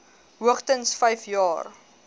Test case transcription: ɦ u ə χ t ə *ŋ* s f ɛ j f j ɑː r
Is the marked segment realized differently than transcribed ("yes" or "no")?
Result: yes